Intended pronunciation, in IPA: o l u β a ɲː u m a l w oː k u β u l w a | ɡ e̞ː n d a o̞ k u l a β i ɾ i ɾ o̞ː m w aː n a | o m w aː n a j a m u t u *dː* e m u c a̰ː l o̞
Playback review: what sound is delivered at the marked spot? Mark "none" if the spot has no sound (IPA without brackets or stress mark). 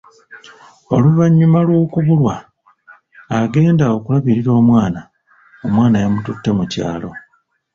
tː